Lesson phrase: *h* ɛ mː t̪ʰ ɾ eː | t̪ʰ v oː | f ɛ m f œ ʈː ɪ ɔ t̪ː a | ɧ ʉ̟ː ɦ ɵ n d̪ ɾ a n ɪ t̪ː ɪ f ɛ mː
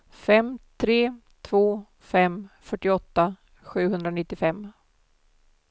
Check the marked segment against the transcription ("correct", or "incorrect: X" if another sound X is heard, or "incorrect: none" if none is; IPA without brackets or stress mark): incorrect: f